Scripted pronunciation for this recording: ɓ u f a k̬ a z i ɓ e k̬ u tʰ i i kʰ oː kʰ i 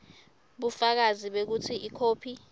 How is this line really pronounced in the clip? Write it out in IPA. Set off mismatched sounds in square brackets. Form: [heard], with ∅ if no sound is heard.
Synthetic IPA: ɓ u f a k̬ a z i ɓ e k̬ u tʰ i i kʰ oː [pʰ] i